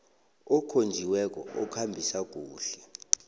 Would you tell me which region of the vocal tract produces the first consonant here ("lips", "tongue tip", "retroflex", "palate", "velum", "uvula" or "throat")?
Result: velum